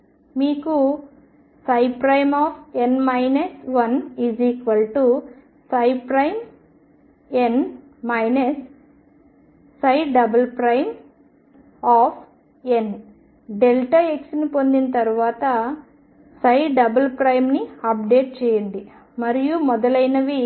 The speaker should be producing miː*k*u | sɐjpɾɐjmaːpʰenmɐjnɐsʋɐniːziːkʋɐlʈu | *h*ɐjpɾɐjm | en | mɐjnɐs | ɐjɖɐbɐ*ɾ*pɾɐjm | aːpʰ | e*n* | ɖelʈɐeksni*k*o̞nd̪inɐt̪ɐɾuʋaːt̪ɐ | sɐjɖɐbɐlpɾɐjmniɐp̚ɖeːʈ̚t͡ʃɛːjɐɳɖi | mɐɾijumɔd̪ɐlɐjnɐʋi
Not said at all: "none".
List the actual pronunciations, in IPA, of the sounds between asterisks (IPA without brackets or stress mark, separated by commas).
k, s, l, n, p